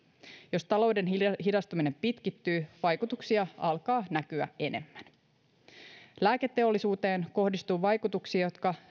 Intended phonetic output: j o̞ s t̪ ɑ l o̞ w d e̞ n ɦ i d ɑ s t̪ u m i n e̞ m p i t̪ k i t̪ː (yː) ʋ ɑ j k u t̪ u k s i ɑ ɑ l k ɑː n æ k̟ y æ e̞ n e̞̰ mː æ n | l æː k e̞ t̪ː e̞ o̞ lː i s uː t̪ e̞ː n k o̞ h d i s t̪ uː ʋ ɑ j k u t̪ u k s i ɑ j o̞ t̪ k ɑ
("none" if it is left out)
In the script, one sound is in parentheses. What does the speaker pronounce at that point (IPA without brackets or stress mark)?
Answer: yː